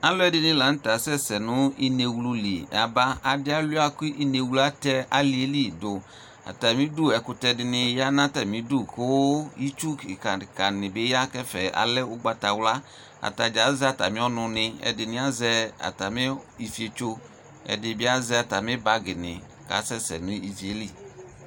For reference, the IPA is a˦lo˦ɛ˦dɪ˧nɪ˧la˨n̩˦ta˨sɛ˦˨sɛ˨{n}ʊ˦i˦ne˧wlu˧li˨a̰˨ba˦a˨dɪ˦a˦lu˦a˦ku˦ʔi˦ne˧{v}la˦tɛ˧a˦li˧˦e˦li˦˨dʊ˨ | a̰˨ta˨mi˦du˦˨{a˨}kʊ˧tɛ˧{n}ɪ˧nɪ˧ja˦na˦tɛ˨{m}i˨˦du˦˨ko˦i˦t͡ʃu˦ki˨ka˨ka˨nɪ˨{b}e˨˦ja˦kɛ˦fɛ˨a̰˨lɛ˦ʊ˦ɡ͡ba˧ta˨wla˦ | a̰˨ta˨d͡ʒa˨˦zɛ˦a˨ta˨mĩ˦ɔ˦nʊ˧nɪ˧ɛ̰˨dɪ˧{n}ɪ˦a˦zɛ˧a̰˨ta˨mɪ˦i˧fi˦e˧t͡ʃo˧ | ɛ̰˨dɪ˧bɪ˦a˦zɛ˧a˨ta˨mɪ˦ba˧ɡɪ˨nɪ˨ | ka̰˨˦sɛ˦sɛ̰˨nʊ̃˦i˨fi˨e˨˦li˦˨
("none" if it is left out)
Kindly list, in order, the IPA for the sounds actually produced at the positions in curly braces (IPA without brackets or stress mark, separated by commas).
n, w, ɛ˨, d, m, b, n